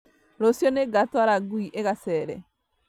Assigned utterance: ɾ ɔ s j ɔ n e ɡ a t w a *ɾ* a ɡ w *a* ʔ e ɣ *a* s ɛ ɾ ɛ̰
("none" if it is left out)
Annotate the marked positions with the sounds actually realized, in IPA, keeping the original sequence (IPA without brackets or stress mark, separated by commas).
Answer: ɾ, i, a